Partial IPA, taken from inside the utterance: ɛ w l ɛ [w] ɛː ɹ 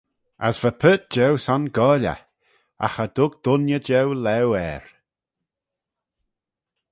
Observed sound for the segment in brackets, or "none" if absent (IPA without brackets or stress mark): w